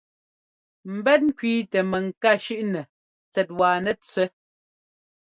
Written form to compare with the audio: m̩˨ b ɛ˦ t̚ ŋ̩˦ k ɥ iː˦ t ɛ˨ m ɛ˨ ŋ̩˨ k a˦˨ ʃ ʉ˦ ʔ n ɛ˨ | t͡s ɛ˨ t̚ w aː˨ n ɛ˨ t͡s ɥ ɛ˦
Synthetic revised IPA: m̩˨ b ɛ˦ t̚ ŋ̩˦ k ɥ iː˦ t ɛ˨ m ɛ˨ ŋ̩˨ k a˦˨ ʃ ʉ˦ ʔ n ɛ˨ | t͡s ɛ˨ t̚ w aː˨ n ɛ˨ t͡s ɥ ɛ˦